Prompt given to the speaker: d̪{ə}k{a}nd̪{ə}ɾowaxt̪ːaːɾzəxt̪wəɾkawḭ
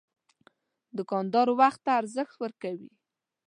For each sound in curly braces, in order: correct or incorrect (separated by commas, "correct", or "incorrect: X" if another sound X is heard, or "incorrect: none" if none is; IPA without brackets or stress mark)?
correct, incorrect: ɑ, incorrect: ɑ